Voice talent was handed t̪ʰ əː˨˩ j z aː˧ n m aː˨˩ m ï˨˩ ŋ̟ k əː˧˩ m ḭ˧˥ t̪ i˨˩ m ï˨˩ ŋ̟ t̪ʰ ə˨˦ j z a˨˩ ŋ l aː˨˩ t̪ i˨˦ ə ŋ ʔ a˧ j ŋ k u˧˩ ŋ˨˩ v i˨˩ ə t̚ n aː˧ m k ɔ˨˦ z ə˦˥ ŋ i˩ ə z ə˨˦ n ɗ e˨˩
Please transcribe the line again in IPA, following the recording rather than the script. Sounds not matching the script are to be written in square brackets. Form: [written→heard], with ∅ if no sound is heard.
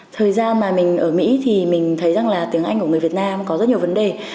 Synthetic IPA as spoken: t̪ʰ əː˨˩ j z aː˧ n m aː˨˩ m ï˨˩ ŋ̟ [k→ʔ] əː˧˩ m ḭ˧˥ [t̪→t̪ʰ] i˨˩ m ï˨˩ ŋ̟ t̪ʰ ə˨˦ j z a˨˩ ŋ l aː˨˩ t̪ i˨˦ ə ŋ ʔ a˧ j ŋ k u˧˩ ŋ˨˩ v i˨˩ ə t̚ n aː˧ m k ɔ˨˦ z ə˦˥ [ŋ→ɲ] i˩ ə [z→v] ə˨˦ n ɗ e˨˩